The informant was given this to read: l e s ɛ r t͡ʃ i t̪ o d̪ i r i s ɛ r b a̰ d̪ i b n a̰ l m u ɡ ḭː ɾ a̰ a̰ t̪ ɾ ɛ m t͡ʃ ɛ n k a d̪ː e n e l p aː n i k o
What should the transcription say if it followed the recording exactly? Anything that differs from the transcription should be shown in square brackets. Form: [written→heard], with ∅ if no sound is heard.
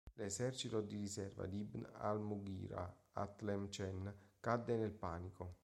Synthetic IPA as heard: l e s ɛ r t͡ʃ i t̪ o d̪ i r i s ɛ r [b→v] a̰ d̪ i b n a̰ l m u ɡ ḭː ɾ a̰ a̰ t̪ [ɾ→l] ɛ m t͡ʃ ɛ n k a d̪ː e n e l p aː n i k o

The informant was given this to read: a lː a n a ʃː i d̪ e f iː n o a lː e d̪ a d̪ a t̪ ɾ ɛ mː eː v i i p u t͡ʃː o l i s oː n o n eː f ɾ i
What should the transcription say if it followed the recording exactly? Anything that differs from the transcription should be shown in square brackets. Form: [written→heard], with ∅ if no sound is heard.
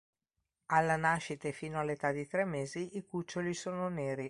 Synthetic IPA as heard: a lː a n a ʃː i [d̪→t̪] e f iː n o a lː e [d̪→t̪] a d̪ [a→i] t̪ ɾ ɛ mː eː [v→z] i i [p→k] u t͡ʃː o l i s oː n o n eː [f→∅] ɾ i

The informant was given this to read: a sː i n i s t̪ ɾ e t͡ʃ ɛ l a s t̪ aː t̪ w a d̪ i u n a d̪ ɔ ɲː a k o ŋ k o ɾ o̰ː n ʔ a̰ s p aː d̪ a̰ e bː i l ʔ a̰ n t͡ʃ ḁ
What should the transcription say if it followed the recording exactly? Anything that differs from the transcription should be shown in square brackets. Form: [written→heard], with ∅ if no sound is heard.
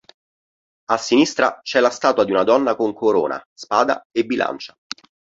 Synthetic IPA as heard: a sː i n i s t̪ ɾ [e→a] t͡ʃ ɛ l a s t̪ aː t̪ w a d̪ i u n a d̪ ɔ [ɲː→nː] a k o ŋ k o ɾ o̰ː n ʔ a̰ s p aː d̪ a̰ e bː i l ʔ a̰ n t͡ʃ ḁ

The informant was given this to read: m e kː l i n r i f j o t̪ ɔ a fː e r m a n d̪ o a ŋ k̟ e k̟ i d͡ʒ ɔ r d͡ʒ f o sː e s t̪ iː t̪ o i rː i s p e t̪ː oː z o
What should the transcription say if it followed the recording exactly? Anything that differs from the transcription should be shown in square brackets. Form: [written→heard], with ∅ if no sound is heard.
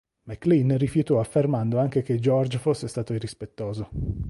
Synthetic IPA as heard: m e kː l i n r i f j [o→u] t̪ ɔ a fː e r m a n d̪ o a ŋ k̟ e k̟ [i→e] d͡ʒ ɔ r d͡ʒ f o sː e s t̪ [iː→aː] t̪ o i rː i s p e t̪ː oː z o

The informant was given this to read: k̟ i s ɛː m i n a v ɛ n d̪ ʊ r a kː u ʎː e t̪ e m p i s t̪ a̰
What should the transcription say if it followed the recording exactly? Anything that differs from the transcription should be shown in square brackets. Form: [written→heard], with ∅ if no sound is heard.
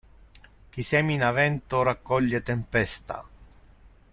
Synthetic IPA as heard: k̟ i s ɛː m i n a v ɛ n [d̪→t̪] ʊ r a kː [u→ɔ] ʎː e t̪ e m p [i→ɛ] s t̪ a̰

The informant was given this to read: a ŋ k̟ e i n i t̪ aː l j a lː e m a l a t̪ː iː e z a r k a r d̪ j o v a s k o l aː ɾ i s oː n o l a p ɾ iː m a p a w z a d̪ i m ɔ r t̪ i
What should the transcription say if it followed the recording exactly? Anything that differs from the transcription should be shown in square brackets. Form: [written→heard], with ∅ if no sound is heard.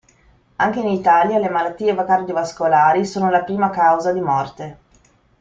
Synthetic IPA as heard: a ŋ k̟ e i n i t̪ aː l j a [lː→l] e m a l a t̪ː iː e [z→v] a [r→∅] k a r d̪ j o v a s k o l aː ɾ i s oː n o l a p ɾ iː m a [p→k] a w z a d̪ i m ɔ r t̪ [i→e]

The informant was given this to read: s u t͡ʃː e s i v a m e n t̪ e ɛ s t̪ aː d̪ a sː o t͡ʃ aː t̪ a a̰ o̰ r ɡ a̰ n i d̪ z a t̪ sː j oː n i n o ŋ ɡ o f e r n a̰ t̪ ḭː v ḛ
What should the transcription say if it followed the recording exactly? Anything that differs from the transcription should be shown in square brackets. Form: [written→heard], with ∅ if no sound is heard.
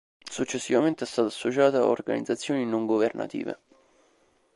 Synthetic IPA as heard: s u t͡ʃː e [s→sː] i v a m e n t̪ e ɛ s t̪ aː [d̪→t̪] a sː o t͡ʃ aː t̪ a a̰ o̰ r ɡ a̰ n i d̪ z a t̪ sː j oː n i n o ŋ ɡ o [f→v] e r n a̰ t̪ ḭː v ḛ

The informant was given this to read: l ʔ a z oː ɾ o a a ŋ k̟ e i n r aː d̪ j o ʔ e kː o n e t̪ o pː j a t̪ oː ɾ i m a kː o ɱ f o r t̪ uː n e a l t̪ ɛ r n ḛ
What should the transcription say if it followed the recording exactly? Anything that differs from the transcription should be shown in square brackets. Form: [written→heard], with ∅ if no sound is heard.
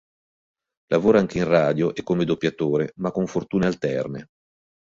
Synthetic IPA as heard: l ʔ a [z→v] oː ɾ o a a ŋ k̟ e i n r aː d̪ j o ʔ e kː o [n→m] e [t̪→d̪] o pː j a t̪ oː ɾ [i→e] m a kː o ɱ f o r t̪ uː n e a l t̪ ɛ r n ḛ

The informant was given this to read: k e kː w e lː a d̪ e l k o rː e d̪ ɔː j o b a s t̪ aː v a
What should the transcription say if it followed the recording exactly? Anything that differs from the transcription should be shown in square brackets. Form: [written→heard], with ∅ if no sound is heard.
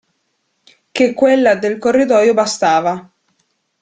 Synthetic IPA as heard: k e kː w e lː a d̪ e l k o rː [e→i] d̪ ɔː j o b a s t̪ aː v a

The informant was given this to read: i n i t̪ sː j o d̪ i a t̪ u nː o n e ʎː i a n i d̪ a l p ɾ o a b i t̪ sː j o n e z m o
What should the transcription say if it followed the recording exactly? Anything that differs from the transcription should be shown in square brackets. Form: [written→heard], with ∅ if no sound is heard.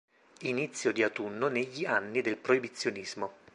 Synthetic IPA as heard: i n i t̪ sː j o d̪ i a t̪ u nː o n e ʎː i a [n→nː] i d̪ [a→e] l p ɾ o [a→i] b i t̪ sː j o n [e→i] z m o

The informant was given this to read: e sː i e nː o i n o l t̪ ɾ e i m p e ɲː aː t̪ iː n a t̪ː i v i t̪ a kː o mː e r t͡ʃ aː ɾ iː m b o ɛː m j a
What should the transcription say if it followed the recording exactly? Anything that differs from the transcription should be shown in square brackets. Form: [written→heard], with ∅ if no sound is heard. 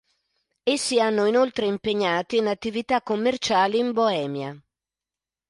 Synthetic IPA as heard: e sː i [e→a] nː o i n o l t̪ ɾ e i m p e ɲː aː t̪ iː n a t̪ː i v i t̪ a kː o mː e r t͡ʃ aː [ɾ→l] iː m b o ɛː m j a

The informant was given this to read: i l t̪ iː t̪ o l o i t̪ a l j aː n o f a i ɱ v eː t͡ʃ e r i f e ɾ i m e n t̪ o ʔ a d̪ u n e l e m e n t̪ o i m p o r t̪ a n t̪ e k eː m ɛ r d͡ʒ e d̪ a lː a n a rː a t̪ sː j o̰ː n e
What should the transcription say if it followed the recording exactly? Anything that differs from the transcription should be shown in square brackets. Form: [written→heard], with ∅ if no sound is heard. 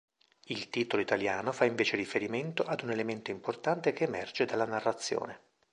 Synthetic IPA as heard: i l t̪ iː t̪ o l o i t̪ a l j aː n o f a i ɱ v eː t͡ʃ e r i f e ɾ i m e n t̪ o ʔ a d̪ u n e l e m e n t̪ o i m p o r t̪ a n t̪ e k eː m ɛ r d͡ʒ e d̪ a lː a n a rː a t̪ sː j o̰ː n e

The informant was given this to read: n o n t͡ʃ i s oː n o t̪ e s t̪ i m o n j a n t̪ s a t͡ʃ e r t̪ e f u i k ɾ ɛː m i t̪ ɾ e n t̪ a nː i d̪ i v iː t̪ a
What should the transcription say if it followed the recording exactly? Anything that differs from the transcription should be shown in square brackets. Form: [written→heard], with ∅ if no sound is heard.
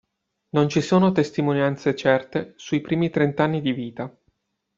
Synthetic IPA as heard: n o n t͡ʃ i s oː n o t̪ e s t̪ i m o n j a n t̪ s [a→e] t͡ʃ [e→ɛ] r t̪ e [f→s] u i [k→p] ɾ [ɛː→iː] m i t̪ ɾ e n t̪ a nː i d̪ i v iː t̪ a

